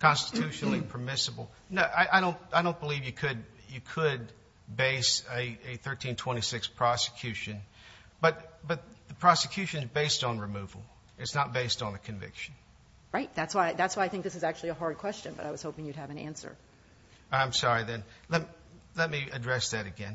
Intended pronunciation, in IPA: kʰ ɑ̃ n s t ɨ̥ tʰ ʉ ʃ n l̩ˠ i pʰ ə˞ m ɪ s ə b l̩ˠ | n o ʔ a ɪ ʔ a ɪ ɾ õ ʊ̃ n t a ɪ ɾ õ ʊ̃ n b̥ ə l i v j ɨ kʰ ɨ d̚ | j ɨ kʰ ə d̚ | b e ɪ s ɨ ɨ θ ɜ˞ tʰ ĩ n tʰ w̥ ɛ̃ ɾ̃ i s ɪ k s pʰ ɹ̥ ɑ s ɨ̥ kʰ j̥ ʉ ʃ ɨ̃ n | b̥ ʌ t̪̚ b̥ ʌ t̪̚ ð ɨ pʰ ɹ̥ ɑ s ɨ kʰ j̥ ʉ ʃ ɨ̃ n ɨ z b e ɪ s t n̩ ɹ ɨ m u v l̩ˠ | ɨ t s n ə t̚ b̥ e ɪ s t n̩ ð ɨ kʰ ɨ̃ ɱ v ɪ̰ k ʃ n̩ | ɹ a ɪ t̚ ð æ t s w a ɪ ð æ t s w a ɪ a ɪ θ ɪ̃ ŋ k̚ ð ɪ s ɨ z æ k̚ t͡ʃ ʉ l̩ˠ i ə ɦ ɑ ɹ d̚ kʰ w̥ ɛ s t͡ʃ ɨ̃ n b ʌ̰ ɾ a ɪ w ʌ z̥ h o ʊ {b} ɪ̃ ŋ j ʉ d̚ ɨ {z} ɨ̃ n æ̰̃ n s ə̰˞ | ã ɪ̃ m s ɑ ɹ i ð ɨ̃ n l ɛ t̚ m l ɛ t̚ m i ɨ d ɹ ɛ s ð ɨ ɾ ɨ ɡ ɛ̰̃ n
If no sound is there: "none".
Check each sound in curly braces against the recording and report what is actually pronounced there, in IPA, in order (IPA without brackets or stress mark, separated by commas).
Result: p, v